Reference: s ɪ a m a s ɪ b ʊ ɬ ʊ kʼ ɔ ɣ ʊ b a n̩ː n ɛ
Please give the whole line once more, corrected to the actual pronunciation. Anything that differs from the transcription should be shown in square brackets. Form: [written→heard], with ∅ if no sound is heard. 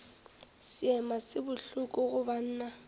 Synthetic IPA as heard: s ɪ [a→ɛ] m a s ɪ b ʊ ɬ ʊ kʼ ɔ ɣ ʊ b a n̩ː n [ɛ→a]